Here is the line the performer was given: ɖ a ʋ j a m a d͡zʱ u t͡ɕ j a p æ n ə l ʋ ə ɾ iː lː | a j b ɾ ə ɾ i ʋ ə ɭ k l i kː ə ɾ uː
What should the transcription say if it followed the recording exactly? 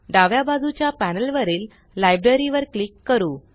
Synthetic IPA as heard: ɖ a ʋ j a b a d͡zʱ u t͡ɕ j a p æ n ə l ʋ ə ɾ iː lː | a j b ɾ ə ɾ i ʋ ə ɾ k l i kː ə ɾ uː